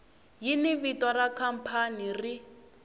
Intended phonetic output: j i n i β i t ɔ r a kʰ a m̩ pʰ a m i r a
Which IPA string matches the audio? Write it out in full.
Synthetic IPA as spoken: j i n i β i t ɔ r a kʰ a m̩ pʰ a n i r i

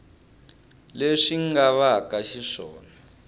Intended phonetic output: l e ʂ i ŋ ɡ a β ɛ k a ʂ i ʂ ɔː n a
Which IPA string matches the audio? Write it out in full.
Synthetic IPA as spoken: l e ʂ i ŋ ɡ a β a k a ʃ i ʂ ɔː n a

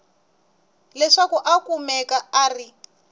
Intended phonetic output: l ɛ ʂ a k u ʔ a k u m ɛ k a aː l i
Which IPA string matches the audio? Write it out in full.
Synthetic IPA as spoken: l ɛ ʂ a k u ʔ a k u m ɛ k a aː r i

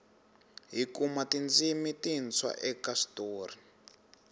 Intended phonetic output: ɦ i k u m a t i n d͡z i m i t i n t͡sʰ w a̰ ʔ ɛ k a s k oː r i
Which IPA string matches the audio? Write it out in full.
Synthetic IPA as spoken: ɦ i k u m a t i n d͡z i m i t i n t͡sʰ w a̰ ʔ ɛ k a s t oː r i

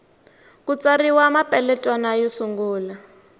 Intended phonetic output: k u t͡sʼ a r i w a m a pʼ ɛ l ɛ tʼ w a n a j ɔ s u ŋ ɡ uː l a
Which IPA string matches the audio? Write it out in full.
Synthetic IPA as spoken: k u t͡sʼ a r i w a m a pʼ ɛ l ɛ tʼ w a n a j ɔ s u ŋ ɡ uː l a

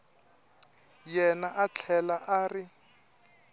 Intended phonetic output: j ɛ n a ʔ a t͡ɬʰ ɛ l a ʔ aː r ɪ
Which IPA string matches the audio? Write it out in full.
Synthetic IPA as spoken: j ɛ n a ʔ a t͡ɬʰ ɛ l a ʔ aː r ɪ

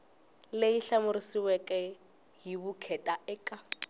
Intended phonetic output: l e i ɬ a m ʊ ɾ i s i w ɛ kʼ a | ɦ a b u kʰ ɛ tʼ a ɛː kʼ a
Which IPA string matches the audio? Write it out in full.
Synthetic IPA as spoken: l e i ɬ a m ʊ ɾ i s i w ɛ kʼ ɛ | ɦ i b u kʰ ɛ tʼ a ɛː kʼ a

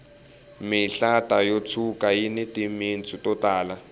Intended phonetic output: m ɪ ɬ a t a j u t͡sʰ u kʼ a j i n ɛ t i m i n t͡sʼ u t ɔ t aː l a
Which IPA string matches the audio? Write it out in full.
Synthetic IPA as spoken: m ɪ ɬ a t a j o t͡sʰ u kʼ a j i n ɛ t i m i n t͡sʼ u t ɔ t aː l a

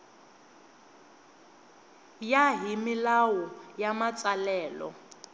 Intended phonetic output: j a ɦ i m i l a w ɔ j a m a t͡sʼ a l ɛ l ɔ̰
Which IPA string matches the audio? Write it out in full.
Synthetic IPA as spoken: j a ɦ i m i l a w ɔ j a m a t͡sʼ a l ɛː l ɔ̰

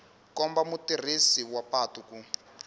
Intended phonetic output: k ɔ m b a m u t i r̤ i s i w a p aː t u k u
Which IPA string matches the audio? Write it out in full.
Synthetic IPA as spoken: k ɔ m b a m u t i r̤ i s i w a p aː t u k u

